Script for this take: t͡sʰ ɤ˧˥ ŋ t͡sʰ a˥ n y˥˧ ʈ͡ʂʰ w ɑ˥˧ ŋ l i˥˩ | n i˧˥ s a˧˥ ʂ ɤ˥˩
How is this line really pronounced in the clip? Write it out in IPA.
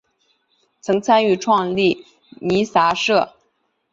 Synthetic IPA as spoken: t͡sʰ ɤ˧˥ ŋ t͡sʰ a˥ n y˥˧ ʈ͡ʂʰ w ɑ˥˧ ŋ l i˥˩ | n i˧˥ s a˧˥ ʂ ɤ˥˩